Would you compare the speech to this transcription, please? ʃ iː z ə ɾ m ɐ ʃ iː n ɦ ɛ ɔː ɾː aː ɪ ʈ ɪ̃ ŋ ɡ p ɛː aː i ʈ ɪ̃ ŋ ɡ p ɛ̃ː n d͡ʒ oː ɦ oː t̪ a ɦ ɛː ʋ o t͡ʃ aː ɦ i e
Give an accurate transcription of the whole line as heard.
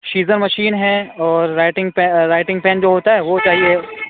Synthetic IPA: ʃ iː z ə ɾ m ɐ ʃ iː n ɦ ɛ ɔː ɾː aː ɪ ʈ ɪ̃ ŋ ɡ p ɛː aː ɪ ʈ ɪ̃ ŋ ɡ p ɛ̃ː n d͡ʒ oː ɦ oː t̪ a ɦ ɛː ʋ o t͡ʃ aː ɦ i e